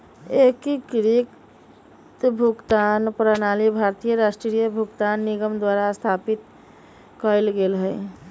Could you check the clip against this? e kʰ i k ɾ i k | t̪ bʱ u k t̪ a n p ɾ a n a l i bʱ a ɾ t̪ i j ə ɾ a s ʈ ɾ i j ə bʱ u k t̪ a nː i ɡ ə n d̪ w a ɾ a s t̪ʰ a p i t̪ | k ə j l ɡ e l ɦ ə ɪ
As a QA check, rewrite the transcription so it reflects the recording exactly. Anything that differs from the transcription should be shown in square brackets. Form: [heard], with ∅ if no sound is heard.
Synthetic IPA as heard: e [k] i k ɾ i k | t̪ bʱ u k t̪ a n p ɾ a n a l i bʱ a ɾ t̪ i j ə ɾ a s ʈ ɾ i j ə bʱ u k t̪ a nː i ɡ ə [m] d̪ w a ɾ a s t̪ʰ a p i t̪ | k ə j l ɡ e l ɦ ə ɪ